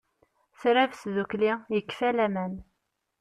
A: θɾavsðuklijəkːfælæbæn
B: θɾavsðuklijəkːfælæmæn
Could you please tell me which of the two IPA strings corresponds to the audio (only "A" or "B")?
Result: B